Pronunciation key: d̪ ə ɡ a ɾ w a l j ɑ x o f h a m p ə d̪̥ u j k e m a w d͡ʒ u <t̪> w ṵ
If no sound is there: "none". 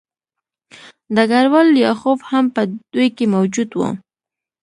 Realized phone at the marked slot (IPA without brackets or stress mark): d̪